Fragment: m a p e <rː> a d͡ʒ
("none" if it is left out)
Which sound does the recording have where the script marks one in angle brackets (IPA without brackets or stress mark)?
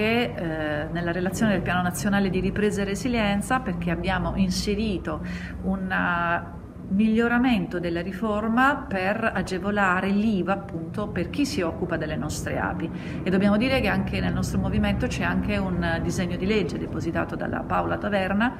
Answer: r